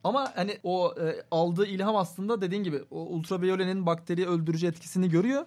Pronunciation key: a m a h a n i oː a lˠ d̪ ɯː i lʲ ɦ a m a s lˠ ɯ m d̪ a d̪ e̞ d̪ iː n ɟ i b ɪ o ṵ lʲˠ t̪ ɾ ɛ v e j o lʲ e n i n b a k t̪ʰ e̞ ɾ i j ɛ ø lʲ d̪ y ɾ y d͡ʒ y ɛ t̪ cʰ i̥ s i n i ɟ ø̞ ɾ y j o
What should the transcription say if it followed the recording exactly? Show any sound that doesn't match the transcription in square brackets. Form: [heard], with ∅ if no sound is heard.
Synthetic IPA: a m a h a n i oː a lˠ d̪ ɯː i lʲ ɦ a m a s lˠ ɯ [n] d̪ a d̪ e̞ d̪ iː n ɟ i b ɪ o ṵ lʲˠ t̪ ɾ [a] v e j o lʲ e n i n b a k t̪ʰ e̞ ɾ i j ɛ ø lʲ d̪ y ɾ y d͡ʒ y ɛ t̪ cʰ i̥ s i n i ɟ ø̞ ɾ y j o